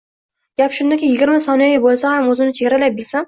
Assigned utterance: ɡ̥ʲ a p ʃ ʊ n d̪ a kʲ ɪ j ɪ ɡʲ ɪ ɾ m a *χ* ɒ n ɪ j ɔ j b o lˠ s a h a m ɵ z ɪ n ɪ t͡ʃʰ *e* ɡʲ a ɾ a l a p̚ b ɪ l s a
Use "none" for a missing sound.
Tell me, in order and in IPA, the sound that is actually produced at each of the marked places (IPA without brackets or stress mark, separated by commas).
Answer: s, e